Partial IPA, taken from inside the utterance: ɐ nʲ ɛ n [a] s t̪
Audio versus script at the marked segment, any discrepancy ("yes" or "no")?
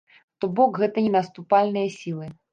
yes